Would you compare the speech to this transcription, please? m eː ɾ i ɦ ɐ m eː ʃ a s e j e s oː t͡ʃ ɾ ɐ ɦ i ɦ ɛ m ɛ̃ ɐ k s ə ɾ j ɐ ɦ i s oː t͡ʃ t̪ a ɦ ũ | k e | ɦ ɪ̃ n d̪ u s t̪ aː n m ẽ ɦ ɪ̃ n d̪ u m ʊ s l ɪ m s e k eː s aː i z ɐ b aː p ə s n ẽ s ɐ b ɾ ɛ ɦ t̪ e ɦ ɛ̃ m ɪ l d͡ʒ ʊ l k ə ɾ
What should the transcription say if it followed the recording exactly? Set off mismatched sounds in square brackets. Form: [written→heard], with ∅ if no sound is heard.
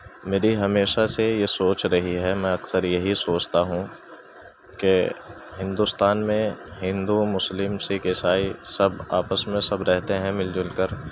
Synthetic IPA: m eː ɾ i ɦ ɐ m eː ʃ a s e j e s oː t͡ʃ ɾ ɐ ɦ i ɦ ɛ m ɛ̃ ɐ k s ə ɾ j ɐ ɦ i s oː t͡ʃ t̪ a ɦ ũ | k e | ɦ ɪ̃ n d̪ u s t̪ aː n m ẽ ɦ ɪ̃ n d̪ u m ʊ s l ɪ m s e k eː s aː i [z→s] ɐ b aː p ə s [n→m] ẽ s ɐ b ɾ ɛ ɦ t̪ e ɦ ɛ̃ m ɪ l d͡ʒ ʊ l k ə ɾ